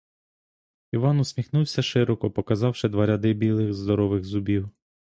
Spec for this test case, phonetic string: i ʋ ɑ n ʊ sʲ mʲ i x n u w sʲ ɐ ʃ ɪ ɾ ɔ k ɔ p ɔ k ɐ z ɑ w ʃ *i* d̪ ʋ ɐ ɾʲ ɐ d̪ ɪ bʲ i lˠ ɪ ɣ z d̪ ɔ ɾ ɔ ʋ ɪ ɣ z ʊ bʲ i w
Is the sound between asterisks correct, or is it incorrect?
incorrect